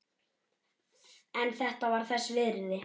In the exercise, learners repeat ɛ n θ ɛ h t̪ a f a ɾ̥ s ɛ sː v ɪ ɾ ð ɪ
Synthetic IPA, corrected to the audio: ɛ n θ ɛ h t̪ a v a ɾ̥ θ ɛ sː v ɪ ɾ ð ɪ